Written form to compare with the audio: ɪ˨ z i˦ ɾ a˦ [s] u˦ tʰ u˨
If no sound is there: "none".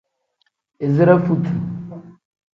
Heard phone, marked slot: f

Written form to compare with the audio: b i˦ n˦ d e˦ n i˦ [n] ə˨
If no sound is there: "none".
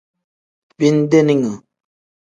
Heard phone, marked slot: ŋ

